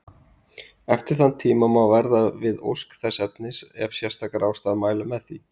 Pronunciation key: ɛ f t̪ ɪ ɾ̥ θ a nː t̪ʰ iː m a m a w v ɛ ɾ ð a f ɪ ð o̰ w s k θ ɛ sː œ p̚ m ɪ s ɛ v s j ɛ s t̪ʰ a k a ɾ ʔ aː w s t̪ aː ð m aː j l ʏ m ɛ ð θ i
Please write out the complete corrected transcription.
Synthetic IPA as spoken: ɛ f t̪ ɪ ɾ̥ θ a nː t̪ʰ iː m a m a w v ɛ ɾ ð a v ɪ ð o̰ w s k θ ɛ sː ɛ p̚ n ɪ s ɛ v s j ɛ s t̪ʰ a k a ɾ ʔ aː w s t̪ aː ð m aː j l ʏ m ɛ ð θ i

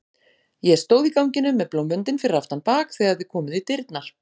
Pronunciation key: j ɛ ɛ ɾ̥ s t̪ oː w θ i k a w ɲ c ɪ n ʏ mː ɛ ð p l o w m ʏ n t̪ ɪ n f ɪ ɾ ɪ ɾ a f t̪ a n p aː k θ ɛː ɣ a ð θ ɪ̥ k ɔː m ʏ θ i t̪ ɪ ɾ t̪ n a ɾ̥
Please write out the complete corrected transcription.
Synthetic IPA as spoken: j ɛ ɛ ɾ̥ s t̪ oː w ð i k a w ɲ c ɪ n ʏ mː ɛ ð p l o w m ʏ n t̪ ɪ n f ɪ ɾ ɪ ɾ a f t̪ a n p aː k θ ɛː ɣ a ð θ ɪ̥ kʰ ɔː m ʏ ð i t̪ ɪ ɾ t̪ n a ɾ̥

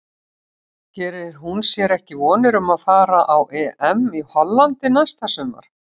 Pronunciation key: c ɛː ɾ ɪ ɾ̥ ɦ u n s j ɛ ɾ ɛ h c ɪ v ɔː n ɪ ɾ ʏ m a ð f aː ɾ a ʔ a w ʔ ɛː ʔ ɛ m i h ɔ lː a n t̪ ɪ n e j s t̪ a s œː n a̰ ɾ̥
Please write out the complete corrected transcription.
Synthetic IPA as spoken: c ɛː ɾ ɪ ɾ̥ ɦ u n s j ɛ ɾ ɛ h c ɪ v ɔː n ɪ ɾ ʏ m a ð f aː ɾ a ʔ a w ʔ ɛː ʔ ɛ m i h ɔ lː a n t̪ ɪ n a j s t̪ a s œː m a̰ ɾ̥

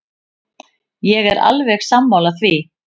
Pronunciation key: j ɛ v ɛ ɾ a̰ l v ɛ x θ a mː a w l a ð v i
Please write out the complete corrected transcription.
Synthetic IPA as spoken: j ɛ ɣ ɛ ɾ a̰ l v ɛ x s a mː a w l a θ v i

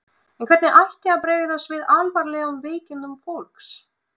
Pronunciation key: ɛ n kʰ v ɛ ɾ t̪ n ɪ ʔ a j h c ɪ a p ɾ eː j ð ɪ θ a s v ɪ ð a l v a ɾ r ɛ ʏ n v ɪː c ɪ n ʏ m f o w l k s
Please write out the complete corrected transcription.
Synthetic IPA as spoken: ɛ n kʰ v ɛ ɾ t̪ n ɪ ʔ a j h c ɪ a p ɾ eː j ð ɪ θ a s v ɪ ð a l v a ɾ l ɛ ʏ m v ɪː c ɪ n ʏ m f o w l k s

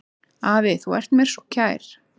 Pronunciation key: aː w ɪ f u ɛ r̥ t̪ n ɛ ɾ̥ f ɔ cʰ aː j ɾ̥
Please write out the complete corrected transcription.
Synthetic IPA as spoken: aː v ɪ θ u ɛ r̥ t̪ m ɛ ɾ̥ s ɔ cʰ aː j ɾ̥

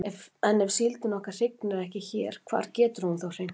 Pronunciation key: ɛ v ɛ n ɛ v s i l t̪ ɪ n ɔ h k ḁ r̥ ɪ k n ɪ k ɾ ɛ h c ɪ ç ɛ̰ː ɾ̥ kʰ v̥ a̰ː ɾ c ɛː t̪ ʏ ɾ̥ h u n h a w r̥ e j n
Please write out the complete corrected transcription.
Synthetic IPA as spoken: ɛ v ɛ n ɛ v s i l t̪ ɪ n ɔ h k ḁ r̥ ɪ k n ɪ ɾ ɛ h c ɪ ç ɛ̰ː ɾ̥ kʰ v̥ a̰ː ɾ c ɛː t̪ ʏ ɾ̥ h u n θ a w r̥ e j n

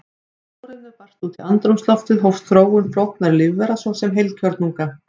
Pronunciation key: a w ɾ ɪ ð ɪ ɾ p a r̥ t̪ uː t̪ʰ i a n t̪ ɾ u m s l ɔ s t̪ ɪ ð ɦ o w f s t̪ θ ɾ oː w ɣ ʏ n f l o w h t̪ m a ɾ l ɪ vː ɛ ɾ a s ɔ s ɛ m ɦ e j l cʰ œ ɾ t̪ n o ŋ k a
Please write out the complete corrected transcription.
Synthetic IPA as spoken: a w ɾ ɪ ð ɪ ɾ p a r̥ t̪ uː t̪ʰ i a n t̪ ɾ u m s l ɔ f t̪ ɪ ð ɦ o w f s t̪ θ ɾ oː w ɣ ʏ n f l o w h t̪ n a ɾ l ɪ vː ɛ ɾ a s ɔ s ɛ m ɦ e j l cʰ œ ɾ t̪ n u ŋ k a

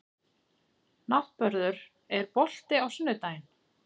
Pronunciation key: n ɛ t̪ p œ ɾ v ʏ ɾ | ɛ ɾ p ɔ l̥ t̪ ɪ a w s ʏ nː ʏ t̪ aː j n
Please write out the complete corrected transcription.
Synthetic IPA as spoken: n a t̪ p œ ɾ ð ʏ ɾ | ɛ ɾ p ɔ l̥ t̪ ɪ a w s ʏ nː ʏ t̪ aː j n

